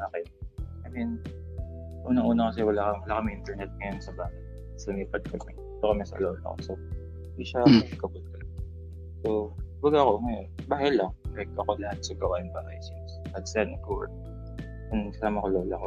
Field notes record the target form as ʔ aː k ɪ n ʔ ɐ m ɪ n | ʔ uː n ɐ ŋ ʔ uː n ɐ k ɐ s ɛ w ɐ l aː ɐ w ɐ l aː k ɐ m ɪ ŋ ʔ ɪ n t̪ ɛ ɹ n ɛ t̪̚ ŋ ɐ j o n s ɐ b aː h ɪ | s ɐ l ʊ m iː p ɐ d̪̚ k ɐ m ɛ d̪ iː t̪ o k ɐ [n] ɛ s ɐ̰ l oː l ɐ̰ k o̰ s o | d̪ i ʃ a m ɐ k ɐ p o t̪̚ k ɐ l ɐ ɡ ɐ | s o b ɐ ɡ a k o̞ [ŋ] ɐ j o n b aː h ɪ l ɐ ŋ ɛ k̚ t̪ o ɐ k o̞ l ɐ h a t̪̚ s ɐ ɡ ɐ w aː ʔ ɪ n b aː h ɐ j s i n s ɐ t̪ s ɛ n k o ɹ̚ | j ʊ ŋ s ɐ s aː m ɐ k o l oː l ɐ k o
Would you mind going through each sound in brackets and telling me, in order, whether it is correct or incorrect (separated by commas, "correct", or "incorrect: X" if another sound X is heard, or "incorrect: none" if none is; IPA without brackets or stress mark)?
incorrect: m, correct